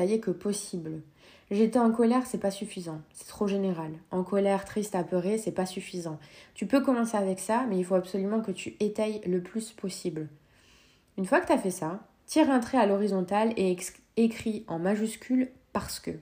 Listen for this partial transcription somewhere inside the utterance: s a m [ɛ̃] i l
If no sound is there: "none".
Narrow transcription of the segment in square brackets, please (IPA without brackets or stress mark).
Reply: ɛ